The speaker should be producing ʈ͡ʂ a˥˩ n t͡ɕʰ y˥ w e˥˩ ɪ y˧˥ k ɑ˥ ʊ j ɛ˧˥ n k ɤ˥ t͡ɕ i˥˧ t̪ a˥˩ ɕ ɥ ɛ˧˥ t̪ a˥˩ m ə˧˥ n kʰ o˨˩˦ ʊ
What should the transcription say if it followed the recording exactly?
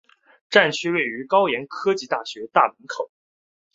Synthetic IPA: ʈ͡ʂ a˥˩ n t͡ɕʰ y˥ w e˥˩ ɪ y˧˥ k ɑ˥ ʊ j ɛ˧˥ n kʰ ɤ˥ t͡ɕ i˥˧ t̪ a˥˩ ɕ ɥ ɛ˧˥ t̪ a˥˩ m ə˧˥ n kʰ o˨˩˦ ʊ

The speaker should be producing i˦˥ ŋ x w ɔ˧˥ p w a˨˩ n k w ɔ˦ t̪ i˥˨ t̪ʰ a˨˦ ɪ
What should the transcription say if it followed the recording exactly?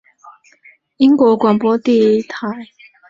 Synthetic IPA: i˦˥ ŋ k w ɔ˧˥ k w a˨˩ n p w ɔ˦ t̪ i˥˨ t̪ʰ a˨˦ ɪ

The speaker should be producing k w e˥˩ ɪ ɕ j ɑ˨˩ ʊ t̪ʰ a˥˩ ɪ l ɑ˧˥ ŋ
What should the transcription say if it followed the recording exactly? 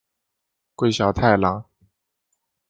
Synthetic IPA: k w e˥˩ ɪ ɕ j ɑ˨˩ ʊ t̪ʰ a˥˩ ɪ l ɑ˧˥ ŋ

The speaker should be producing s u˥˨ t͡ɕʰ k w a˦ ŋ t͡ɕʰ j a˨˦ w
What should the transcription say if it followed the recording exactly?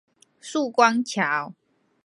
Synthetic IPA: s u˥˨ k w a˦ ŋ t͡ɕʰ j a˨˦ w

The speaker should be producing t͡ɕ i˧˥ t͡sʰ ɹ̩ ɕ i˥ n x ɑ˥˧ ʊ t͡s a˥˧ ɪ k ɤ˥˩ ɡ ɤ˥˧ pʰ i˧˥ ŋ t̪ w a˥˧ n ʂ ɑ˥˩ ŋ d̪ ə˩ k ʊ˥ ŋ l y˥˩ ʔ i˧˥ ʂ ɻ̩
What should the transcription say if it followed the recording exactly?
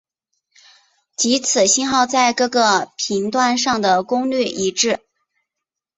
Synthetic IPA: t͡ɕ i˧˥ t͡sʰ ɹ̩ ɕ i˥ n x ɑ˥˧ ʊ t͡s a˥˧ ɪ k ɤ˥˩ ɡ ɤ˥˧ pʰ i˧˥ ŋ t̪ w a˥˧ n ʂ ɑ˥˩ ŋ d̪ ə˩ k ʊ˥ ŋ l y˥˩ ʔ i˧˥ ʈ͡ʂ ɻ̩

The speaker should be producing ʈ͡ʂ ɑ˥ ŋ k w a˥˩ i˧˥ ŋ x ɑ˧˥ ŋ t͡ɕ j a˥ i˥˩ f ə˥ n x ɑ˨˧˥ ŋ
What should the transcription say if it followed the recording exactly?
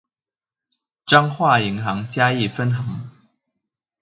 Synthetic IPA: ʈ͡ʂ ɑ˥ ŋ x w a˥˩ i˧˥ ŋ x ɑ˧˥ ŋ t͡ɕ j a˥ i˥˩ f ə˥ n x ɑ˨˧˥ ŋ

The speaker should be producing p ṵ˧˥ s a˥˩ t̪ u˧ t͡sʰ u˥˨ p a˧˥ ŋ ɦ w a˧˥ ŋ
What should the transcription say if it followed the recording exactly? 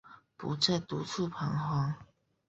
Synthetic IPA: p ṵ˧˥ t͡s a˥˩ t̪ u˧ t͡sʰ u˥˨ pʰ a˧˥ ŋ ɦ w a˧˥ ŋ

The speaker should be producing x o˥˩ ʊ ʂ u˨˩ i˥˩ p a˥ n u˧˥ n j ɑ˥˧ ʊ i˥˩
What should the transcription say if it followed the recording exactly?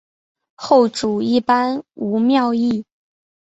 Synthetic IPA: x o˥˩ ʊ ʈ͡ʂ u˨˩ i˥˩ p a˥ n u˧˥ m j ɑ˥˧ ʊ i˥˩

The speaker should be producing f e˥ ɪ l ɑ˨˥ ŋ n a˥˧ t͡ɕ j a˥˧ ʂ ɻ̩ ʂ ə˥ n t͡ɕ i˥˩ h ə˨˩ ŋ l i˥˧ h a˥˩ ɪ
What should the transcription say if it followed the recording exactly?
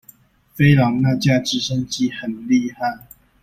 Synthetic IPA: f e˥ ɪ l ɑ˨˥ ŋ n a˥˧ t͡ɕ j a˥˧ ʈ͡ʂ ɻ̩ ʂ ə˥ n t͡ɕ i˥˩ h ə˨˩ n l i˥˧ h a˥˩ ɪ

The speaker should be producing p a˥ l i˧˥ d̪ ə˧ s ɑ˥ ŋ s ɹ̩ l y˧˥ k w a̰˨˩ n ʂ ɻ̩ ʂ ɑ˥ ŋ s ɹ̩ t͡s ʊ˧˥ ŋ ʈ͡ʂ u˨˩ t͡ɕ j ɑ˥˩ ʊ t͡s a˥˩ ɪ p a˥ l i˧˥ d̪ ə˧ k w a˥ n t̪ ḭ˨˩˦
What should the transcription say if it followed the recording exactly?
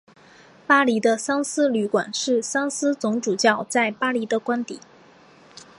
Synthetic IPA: p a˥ l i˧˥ d̪ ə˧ s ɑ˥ ŋ s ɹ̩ l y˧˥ k w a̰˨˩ n ʂ ɻ̩ s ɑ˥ ŋ s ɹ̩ t͡s ʊ˧˥ ŋ ʈ͡ʂ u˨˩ t͡ɕ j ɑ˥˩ ʊ t͡s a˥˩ ɪ p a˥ l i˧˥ d̪ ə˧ k w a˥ n t̪ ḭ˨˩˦

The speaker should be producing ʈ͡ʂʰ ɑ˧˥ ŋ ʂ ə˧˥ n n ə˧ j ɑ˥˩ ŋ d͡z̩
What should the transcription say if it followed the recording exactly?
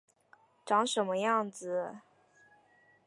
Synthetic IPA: ʈ͡ʂ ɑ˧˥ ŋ ʂ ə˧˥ n m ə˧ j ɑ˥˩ ŋ d͡z̩

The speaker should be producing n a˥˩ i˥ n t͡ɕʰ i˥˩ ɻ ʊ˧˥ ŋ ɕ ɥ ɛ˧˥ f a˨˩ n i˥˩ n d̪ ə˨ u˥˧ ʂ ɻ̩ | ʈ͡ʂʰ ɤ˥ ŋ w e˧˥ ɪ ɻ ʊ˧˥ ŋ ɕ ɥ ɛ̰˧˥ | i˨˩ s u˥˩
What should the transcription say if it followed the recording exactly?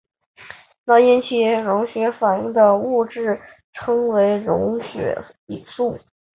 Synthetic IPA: n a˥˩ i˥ n t͡ɕʰ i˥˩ ɻ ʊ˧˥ ŋ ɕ ɥ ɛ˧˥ f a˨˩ n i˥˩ ŋ d̪ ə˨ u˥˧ ʈ͡ʂ ɻ̩ | ʈ͡ʂʰ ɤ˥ ŋ w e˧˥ ɪ ɻ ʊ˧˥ ŋ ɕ ɥ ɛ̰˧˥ | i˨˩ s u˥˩

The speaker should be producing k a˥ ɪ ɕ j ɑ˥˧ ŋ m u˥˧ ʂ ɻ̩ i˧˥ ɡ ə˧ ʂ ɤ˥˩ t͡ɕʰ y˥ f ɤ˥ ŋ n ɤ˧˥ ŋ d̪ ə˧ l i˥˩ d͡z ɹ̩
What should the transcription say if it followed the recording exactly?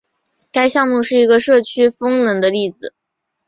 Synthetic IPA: k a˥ ɪ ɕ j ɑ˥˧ ŋ m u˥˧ ʂ ɻ̩ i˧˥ ɡ ə˧ ʂ ɤ˥˩ t͡ɕʰ y˥ f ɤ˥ ŋ n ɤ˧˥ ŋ d̪ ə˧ l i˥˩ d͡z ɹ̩

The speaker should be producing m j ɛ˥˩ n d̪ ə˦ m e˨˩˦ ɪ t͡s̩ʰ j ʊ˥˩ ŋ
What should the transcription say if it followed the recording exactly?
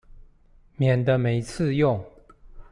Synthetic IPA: m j ɛ˨˩ n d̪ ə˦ m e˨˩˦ ɪ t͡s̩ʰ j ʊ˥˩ ŋ

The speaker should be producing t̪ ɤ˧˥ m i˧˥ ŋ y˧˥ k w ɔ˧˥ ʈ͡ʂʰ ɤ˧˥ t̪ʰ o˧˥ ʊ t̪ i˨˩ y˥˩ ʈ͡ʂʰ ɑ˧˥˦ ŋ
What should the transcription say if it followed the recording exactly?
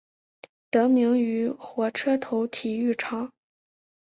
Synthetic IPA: t̪ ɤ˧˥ m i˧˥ ŋ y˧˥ x w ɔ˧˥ ʈ͡ʂʰ ɤ˥ t̪ʰ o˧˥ ʊ t̪ʰ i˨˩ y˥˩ ʈ͡ʂʰ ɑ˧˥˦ ŋ

